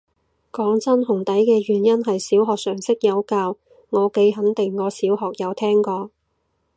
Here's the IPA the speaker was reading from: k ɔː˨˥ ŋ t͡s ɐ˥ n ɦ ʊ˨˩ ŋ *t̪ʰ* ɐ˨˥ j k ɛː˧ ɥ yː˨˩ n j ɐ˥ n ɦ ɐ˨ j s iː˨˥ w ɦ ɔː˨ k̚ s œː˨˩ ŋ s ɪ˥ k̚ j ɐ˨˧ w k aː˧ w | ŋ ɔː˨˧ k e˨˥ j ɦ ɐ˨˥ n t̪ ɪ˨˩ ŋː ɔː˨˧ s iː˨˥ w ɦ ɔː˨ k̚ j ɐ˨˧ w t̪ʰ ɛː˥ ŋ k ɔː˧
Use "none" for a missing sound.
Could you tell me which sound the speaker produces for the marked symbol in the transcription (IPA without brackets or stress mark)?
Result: t̪